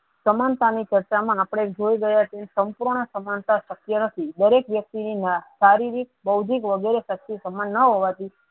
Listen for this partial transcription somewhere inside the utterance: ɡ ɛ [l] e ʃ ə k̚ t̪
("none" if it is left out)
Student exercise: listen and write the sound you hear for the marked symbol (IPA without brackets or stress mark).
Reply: ɾ